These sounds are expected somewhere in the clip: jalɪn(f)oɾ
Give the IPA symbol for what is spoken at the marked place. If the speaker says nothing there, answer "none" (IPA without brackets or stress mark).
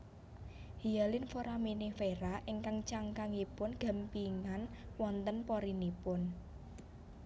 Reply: f